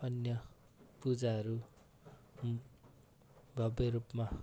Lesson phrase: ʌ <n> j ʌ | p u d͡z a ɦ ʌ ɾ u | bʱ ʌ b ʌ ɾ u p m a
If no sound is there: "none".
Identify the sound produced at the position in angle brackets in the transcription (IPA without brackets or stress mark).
n